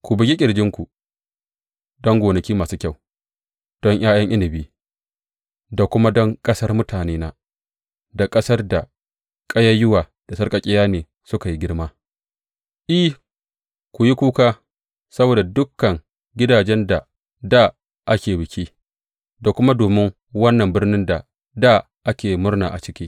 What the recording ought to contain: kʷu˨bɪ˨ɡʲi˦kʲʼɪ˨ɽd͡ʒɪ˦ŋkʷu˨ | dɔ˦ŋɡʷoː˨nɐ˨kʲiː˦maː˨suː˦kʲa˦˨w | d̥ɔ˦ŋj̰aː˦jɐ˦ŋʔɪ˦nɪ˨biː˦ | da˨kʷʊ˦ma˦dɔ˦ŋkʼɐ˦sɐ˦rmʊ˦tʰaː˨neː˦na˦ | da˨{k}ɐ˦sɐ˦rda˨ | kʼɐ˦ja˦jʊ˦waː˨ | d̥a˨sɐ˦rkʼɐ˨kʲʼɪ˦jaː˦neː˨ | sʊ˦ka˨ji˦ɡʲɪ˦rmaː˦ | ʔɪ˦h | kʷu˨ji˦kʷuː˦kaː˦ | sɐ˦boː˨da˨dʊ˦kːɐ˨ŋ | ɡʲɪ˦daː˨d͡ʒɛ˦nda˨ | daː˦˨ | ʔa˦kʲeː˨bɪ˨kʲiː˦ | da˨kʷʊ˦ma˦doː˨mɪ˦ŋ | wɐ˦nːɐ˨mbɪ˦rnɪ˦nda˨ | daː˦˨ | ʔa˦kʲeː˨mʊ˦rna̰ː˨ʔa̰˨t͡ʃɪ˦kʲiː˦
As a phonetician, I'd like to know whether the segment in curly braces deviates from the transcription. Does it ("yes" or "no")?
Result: yes